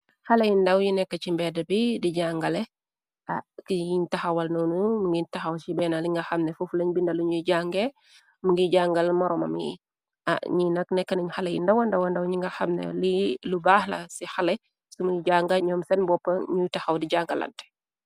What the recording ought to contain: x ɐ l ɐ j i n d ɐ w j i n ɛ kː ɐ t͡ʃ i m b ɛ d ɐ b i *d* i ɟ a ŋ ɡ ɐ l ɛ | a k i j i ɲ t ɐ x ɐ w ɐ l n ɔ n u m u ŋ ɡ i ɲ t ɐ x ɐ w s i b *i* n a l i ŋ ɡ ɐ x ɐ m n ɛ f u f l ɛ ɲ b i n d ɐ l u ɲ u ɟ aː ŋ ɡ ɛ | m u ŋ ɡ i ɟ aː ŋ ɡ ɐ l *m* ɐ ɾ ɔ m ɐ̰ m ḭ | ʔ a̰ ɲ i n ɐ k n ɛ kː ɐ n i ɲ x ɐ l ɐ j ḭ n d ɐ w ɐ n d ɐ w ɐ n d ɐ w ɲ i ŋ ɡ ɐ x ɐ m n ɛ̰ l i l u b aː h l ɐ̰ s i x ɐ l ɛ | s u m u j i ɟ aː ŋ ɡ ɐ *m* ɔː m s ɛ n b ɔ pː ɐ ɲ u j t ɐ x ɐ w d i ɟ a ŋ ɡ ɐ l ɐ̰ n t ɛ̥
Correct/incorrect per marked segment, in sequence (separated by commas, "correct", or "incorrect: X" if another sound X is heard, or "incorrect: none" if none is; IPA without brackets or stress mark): correct, incorrect: ɛ, correct, incorrect: ɲ